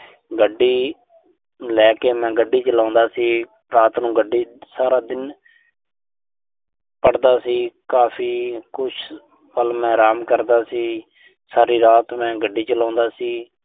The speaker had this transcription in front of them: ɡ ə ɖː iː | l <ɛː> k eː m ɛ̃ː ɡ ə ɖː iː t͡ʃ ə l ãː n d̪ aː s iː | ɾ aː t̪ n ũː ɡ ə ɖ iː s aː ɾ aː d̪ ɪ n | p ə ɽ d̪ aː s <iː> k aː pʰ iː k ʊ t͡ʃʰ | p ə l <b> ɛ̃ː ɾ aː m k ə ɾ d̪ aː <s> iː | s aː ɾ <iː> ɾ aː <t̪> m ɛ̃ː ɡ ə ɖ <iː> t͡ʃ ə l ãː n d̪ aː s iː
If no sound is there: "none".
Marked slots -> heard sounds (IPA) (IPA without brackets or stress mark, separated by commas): ɛː, iː, m, s, iː, t̪, iː